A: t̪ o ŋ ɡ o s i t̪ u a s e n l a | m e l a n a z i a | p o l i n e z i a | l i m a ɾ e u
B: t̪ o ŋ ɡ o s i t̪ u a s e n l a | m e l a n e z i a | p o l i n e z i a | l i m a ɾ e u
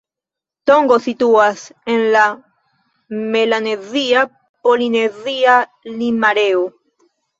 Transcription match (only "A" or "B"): B